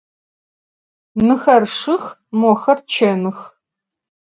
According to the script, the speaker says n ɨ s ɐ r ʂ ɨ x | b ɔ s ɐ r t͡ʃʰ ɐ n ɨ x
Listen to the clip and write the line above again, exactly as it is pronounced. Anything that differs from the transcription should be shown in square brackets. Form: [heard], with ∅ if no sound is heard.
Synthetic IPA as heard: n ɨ [x] ɐ r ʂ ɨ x | [m] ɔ [x] ɐ r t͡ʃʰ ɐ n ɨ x